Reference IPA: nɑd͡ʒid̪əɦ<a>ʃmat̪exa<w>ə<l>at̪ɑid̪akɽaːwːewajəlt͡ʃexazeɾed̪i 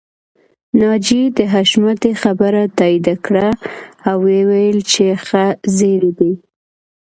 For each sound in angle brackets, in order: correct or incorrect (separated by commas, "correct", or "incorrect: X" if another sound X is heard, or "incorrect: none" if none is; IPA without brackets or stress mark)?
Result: correct, incorrect: b, incorrect: ɾ